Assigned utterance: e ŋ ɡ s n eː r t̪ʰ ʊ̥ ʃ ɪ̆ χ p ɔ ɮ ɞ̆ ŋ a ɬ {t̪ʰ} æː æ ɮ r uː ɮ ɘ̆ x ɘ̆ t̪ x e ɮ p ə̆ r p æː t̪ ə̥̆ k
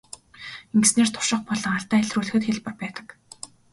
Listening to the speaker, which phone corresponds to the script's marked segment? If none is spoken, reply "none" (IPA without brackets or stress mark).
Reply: t̪